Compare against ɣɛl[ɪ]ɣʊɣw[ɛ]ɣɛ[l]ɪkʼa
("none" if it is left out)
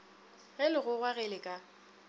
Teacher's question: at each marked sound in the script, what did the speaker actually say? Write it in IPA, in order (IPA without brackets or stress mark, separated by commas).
ɪ, a, l